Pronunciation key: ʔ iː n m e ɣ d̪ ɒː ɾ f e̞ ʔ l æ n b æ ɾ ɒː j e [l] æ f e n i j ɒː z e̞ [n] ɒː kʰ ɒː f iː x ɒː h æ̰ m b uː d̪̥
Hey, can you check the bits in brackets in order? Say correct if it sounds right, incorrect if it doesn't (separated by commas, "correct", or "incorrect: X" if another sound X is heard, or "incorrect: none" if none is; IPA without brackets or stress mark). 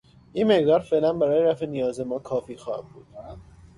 incorrect: ɾ, incorrect: m